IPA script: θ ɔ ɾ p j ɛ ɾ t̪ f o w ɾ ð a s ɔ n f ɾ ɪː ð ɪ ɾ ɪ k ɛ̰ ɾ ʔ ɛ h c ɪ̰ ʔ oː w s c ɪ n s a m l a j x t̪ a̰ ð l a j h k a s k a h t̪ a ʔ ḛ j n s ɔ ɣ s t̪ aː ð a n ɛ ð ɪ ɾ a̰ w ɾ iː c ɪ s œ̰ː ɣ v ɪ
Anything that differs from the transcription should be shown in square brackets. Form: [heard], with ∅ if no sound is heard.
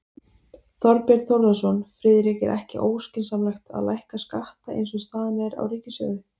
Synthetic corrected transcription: θ ɔ ɾ p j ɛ ɾ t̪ [θ] o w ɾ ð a s ɔ n f ɾ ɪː ð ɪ ɾ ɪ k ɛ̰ ɾ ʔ ɛ h c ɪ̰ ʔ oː w s c ɪ n s a m l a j x t̪ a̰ ð l a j h k a s k a h t̪ a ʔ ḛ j n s ɔ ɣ s t̪ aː ð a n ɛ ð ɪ ɾ a̰ w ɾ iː c ɪ s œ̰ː ɣ [ð] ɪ